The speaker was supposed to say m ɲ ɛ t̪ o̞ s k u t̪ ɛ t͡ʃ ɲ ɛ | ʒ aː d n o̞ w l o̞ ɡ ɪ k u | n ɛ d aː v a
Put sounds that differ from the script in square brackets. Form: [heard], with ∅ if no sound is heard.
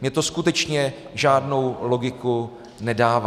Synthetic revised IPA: m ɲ ɛ t̪ o̞ s k u t̪ ɛ t͡ʃ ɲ ɛ | ʒ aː d n o̞ w l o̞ ɡ ɪ k u | n ɛ d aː v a